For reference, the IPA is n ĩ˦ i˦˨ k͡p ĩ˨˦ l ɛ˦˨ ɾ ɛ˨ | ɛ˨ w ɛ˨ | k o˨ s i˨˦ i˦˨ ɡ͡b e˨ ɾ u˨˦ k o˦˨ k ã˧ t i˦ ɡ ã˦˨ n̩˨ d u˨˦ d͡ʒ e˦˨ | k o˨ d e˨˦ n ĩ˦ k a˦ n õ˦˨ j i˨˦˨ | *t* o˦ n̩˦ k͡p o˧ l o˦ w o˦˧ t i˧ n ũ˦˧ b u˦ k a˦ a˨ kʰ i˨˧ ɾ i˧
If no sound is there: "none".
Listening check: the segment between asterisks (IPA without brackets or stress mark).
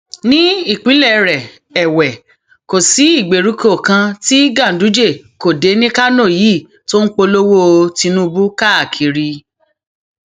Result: t